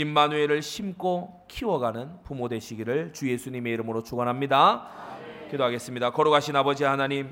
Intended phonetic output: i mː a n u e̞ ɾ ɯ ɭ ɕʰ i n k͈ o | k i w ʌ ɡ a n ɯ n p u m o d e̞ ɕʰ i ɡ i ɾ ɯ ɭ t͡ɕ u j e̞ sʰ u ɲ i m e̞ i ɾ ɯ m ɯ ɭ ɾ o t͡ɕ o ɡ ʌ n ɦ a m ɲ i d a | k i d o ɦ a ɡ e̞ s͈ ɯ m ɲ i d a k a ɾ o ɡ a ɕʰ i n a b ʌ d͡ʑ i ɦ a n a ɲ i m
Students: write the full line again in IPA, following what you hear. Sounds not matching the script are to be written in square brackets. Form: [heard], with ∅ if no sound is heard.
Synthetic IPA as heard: i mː a n u e̞ ɾ ɯ ɭ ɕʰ i [m] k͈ o | [kʰ] i w ʌ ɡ a n ɯ n p u m o d e̞ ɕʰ i ɡ i ɾ ɯ ɭ t͡ɕ u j e̞ sʰ u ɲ i m e̞ i ɾ ɯ m ɯ [∅] ɾ o t͡ɕ o ɡ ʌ n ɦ a m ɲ i d a | k i d o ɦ a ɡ e̞ s͈ ɯ m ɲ i d a k [ʌ] ɾ o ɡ a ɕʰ i n a b ʌ d͡ʑ i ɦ a n a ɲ i m